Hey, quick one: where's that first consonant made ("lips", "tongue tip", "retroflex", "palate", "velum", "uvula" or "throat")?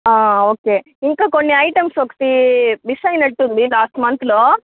velum